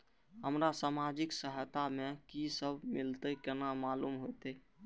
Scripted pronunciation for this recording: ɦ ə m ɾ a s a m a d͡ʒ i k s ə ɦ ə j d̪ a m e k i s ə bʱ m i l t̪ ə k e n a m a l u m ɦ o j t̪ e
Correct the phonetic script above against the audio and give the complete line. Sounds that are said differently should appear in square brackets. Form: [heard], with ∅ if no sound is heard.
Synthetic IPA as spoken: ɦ ə m ɾ a s a m a d͡ʒ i k s ə ɦ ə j [t̪] a m e k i s ə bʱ m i l t̪ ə k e n a m a l u m ɦ o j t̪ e